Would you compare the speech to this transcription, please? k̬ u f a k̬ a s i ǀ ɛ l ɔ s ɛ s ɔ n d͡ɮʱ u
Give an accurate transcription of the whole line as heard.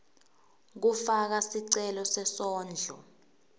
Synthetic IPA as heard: k̬ u f a k̬ a s i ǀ ɛ l ɔ s ɛ s ɔː n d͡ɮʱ ɔ